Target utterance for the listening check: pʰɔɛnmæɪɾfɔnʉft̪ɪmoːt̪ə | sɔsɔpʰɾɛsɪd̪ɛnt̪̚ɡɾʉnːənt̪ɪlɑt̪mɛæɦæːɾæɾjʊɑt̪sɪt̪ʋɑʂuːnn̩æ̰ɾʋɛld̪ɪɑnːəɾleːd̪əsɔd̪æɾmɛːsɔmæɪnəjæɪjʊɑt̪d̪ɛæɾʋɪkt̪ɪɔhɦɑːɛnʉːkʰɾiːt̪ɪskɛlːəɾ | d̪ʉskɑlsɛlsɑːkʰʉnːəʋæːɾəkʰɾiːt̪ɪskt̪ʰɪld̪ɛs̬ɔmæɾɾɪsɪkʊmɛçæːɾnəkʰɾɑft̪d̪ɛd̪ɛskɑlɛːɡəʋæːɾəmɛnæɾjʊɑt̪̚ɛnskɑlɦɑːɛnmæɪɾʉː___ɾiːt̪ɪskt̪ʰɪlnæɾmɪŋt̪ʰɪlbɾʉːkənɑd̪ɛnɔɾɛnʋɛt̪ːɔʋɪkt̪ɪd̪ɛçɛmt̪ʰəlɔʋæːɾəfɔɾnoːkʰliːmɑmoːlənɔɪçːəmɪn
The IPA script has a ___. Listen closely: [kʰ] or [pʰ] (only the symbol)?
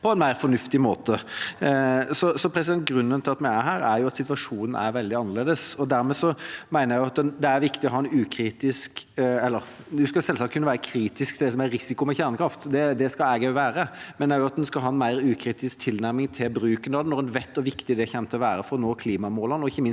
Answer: kʰ